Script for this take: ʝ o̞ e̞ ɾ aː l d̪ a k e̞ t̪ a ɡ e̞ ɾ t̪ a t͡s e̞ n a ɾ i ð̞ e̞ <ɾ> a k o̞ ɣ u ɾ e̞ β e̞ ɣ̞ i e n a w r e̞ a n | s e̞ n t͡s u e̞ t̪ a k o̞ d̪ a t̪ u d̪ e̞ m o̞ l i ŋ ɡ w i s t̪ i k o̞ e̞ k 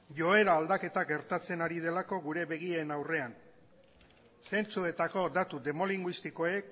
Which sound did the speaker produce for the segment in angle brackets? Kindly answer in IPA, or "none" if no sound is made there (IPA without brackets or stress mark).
l